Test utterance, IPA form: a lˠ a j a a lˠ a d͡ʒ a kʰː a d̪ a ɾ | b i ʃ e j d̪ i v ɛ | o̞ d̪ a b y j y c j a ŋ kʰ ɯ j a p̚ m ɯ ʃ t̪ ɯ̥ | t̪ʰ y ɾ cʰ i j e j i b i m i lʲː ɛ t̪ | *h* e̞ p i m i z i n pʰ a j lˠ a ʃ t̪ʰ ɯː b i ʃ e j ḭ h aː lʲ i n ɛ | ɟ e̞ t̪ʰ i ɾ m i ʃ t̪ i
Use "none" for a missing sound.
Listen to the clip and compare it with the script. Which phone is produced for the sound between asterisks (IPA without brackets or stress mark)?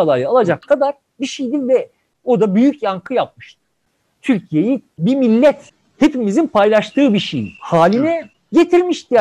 h